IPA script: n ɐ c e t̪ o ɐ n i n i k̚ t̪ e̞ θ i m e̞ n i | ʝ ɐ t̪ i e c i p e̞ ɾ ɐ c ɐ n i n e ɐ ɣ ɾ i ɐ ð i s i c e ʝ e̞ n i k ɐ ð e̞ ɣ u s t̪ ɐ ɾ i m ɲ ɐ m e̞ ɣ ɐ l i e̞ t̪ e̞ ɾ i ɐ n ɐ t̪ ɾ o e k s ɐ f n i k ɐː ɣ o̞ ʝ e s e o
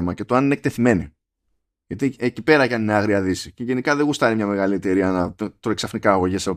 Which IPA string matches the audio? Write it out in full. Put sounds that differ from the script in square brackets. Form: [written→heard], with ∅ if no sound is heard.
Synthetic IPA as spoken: [n→m] ɐ c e t̪ o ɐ n i n [i→e] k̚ t̪ e̞ θ i m e̞ n i | ʝ ɐ t̪ i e c i p e̞ ɾ ɐ c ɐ n i n e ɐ ɣ ɾ i ɐ ð i s i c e ʝ e̞ n i k ɐ ð e̞ ɣ u s t̪ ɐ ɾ i m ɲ ɐ m e̞ ɣ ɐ l i e̞ t̪ e̞ ɾ i ɐ n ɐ t̪ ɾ o e k s ɐ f n i k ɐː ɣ o̞ ʝ e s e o